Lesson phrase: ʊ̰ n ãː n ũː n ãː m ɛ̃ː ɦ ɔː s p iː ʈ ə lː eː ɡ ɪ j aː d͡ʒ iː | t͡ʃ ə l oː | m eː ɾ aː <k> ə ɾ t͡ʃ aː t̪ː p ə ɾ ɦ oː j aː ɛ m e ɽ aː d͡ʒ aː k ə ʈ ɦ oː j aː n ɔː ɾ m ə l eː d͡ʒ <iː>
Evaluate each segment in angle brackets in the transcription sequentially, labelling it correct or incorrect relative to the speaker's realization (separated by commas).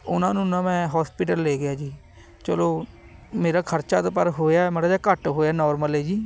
incorrect, correct